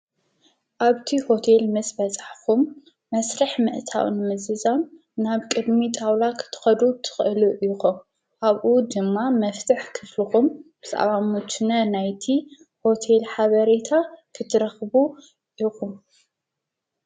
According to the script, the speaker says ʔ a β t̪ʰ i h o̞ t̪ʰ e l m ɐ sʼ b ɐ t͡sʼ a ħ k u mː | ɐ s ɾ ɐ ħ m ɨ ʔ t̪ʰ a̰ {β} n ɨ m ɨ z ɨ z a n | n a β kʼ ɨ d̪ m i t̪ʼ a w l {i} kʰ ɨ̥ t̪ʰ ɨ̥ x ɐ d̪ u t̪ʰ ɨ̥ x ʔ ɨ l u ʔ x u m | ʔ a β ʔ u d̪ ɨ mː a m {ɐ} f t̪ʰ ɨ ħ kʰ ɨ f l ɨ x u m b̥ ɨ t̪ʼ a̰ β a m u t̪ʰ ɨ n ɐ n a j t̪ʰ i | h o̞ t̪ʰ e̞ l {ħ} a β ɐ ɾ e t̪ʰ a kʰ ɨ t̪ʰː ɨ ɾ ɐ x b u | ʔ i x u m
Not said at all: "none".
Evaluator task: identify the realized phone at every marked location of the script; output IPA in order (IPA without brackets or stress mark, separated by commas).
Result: w, a, ɐ, ħ